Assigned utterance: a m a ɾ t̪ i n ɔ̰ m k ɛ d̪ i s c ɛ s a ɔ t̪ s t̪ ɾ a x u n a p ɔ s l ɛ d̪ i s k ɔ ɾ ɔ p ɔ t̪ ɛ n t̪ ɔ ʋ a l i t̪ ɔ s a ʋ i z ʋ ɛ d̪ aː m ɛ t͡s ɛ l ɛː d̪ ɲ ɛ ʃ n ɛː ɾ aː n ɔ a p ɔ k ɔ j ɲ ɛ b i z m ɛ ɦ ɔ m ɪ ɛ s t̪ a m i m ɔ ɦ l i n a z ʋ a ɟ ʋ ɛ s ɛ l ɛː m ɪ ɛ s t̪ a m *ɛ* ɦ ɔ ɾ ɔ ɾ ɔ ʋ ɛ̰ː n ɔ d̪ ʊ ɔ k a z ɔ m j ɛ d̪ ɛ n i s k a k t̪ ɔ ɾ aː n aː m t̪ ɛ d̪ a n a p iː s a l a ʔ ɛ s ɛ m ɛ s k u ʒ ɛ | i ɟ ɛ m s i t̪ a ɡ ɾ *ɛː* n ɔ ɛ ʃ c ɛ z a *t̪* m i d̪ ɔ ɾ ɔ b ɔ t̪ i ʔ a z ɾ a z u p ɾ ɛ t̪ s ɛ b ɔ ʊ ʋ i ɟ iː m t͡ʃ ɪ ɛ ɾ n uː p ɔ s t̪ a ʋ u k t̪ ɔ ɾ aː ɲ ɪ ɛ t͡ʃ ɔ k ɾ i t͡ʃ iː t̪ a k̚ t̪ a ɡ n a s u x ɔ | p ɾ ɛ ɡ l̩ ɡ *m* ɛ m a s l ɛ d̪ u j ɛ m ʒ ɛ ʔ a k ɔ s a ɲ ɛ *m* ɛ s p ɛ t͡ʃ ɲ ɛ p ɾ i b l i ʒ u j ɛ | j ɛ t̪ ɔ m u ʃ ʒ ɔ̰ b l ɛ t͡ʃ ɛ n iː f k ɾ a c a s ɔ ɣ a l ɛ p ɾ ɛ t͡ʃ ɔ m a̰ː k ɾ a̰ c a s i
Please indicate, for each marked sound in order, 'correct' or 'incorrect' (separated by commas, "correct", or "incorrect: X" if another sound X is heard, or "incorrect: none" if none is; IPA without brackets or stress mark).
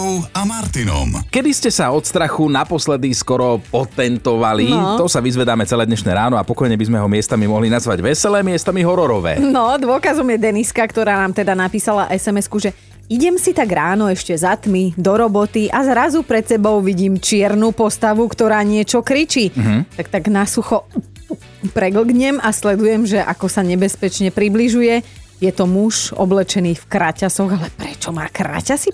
incorrect: i, incorrect: aː, correct, incorrect: ɲ, incorrect: b